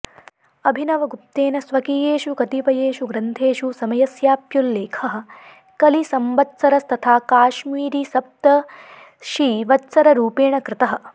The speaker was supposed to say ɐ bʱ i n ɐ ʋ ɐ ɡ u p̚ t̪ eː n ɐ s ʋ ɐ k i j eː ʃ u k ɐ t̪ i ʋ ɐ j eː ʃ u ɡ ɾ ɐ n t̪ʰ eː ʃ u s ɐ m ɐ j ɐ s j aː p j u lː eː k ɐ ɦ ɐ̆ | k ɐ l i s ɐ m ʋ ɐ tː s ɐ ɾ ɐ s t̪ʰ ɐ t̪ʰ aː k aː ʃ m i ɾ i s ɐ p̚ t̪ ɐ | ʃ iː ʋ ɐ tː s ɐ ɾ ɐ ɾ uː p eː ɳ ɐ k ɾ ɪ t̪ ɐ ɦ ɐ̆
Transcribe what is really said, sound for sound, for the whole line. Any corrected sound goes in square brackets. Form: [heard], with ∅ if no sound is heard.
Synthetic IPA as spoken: ɐ bʱ i n ɐ ʋ ɐ ɡ u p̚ t̪ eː n ɐ s ʋ ɐ k i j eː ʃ u k ɐ t̪ i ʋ ɐ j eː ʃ u ɡ ɾ ɐ n t̪ʰ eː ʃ u s ɐ m ɐ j ɐ s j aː p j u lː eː [kʰ] ɐ ɦ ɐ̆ | k ɐ l i s ɐ m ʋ ɐ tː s ɐ ɾ ɐ s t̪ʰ ɐ t̪ʰ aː k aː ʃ m [iː] ɾ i s ɐ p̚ t̪ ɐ | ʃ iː ʋ ɐ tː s ɐ ɾ ɐ ɾ uː p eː ɳ ɐ k ɾ ɪ t̪ ɐ ɦ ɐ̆